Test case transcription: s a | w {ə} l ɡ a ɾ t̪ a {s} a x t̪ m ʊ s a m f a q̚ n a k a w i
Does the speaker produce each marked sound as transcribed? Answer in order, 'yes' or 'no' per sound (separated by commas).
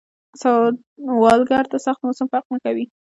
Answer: no, yes